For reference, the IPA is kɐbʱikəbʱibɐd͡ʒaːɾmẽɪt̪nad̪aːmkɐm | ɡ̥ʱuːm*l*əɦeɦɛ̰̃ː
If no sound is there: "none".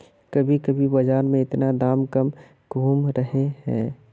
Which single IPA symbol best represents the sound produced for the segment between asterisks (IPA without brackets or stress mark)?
ɾ